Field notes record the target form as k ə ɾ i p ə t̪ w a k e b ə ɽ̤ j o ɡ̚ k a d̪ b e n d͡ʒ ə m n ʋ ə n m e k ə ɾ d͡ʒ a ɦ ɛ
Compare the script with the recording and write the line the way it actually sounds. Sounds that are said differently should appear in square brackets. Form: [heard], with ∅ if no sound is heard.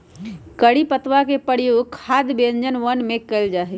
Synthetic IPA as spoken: k ə [ɽ] i p ə t̪ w a k e [p] ə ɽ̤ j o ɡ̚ [kʰ] a d̪ b e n d͡ʒ ə [∅] n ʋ ə n m e k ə [l] d͡ʒ a ɦ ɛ